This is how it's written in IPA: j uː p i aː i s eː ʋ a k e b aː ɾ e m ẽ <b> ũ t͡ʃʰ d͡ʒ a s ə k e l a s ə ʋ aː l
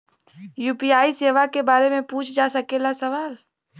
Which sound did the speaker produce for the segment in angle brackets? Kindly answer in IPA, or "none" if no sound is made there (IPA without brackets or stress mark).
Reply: p